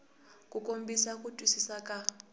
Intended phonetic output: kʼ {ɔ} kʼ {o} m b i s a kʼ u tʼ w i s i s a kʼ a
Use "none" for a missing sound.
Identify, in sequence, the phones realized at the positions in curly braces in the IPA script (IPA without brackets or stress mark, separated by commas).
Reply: u, o